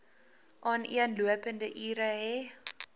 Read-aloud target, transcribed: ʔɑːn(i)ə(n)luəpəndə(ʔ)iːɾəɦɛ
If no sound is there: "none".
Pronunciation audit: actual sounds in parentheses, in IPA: i, n, ʔ

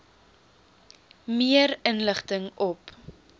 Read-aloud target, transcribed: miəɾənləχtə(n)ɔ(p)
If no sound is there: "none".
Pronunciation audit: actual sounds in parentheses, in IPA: ŋ, p

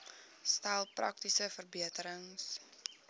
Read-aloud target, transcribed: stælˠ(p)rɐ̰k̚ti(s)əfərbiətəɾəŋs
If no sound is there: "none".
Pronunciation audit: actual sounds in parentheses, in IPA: p, s

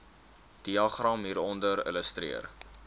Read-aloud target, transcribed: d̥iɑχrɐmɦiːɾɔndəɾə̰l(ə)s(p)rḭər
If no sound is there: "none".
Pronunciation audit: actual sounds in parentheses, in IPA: ə, t

